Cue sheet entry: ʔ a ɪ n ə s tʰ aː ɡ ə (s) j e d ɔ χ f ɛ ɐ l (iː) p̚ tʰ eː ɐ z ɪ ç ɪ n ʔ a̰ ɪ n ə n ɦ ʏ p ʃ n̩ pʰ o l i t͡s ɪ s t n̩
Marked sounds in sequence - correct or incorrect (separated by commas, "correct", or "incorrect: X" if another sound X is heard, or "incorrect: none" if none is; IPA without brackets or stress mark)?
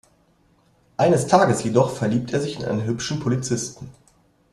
correct, correct